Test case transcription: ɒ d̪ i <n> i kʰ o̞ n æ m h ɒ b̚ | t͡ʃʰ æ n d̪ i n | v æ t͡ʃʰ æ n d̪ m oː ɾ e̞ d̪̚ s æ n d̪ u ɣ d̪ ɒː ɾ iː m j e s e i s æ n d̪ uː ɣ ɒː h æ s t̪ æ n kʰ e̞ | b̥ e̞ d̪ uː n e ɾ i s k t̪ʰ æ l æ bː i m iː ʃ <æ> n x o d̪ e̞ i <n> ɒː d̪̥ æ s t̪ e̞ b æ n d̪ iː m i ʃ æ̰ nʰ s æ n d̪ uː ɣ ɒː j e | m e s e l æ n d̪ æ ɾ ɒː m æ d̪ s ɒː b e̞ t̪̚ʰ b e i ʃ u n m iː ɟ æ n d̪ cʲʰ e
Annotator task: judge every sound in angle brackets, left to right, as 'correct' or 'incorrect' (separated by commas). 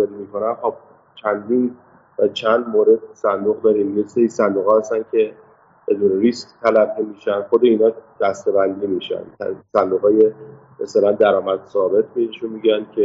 incorrect, correct, correct